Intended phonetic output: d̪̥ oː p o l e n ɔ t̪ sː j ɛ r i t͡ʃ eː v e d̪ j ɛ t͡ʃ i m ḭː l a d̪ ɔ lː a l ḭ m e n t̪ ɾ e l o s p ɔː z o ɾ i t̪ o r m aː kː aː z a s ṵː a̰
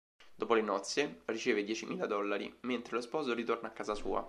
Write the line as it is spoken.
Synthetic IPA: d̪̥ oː p o l e n ɔ t̪ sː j e r i t͡ʃ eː v e d̪ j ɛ t͡ʃ i m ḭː l a d̪ ɔ lː a ɾ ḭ m e n t̪ ɾ e l o s p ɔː z o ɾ i t̪ o r n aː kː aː z a s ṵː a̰